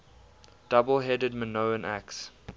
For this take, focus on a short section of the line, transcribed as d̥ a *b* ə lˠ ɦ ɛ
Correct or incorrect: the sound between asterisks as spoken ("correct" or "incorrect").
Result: correct